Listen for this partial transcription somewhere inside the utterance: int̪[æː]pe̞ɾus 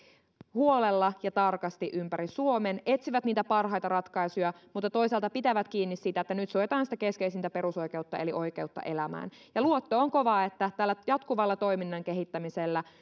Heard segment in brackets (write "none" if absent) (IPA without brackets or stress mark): æ